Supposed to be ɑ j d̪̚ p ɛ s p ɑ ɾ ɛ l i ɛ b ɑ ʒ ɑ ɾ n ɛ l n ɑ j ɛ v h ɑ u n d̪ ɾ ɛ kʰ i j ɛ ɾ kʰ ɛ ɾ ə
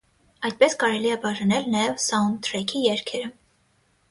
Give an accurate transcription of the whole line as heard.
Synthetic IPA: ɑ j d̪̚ p ɛ s k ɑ ɾ ɛ l i ɛ b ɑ ʒ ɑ n ɛ l n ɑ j ɛ v s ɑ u n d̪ ɾ ɛ kʰ i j ɛ ɾ kʰ ɛ ɾ ə